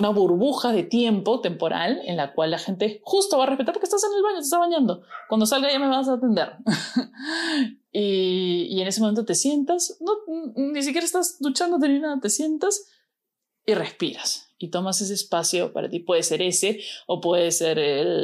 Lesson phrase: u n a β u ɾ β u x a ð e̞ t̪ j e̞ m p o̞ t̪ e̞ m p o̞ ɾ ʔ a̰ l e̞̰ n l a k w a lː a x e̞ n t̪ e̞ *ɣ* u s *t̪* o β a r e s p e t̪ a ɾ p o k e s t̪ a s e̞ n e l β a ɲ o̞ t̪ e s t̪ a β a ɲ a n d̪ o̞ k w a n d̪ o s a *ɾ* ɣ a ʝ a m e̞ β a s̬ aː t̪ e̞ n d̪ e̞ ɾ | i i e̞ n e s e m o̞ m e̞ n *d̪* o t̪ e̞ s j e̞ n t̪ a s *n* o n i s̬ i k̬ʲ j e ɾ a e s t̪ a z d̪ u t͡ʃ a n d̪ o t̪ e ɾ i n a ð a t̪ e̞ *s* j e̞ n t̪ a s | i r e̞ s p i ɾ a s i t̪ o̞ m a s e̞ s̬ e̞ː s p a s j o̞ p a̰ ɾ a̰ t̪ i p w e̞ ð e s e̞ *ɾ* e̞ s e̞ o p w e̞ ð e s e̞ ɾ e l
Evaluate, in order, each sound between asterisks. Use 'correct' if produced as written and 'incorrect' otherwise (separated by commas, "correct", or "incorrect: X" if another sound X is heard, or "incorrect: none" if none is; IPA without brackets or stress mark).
incorrect: x, correct, incorrect: l, incorrect: t̪, correct, correct, correct